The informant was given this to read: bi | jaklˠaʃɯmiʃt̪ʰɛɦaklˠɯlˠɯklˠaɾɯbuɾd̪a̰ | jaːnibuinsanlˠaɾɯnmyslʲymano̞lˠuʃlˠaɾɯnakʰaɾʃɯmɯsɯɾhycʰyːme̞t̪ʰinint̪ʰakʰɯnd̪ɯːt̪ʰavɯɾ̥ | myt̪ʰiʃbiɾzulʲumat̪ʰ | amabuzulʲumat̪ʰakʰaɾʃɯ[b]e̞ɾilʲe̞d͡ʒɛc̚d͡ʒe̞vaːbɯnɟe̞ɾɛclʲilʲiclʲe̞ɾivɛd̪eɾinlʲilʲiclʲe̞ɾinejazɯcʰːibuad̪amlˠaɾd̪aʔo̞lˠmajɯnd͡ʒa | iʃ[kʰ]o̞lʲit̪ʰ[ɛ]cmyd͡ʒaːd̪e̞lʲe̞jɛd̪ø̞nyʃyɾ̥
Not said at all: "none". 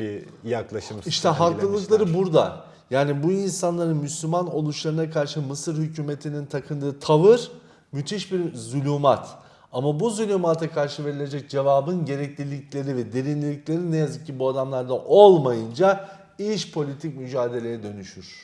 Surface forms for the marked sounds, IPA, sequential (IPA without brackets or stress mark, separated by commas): v, pʰ, i